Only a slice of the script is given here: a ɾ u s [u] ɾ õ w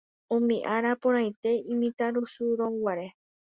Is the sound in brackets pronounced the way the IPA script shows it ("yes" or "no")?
yes